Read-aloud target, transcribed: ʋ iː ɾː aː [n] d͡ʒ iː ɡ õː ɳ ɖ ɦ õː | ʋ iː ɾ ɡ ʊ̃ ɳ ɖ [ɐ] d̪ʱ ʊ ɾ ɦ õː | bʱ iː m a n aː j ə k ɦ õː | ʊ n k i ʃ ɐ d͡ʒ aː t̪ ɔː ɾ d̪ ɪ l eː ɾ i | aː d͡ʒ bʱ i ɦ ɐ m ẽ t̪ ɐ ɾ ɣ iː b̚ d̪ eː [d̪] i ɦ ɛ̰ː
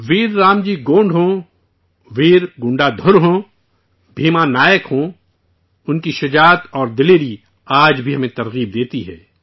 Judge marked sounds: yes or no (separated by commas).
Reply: no, no, no